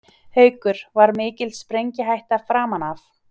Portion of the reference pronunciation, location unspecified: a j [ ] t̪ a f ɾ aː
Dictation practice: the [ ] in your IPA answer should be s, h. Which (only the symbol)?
h